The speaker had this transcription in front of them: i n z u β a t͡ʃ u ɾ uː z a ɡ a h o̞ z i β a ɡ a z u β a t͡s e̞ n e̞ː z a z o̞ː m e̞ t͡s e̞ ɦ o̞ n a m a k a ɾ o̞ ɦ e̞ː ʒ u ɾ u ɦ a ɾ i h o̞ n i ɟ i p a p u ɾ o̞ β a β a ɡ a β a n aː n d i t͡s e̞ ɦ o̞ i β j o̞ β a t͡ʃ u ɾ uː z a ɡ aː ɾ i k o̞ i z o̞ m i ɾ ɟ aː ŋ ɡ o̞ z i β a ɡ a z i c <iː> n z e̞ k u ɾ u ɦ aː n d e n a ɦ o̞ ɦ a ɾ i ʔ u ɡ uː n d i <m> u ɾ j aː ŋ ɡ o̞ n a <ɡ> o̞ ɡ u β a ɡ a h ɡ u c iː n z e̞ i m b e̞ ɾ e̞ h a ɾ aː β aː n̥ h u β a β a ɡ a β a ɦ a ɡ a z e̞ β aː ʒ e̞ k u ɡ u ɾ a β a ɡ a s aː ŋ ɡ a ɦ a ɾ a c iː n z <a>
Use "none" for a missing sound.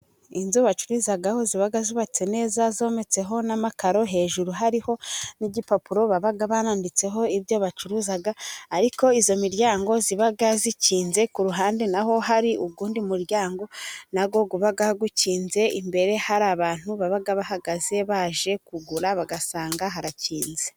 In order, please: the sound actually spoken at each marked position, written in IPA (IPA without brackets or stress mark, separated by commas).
iː, m, ɡ, e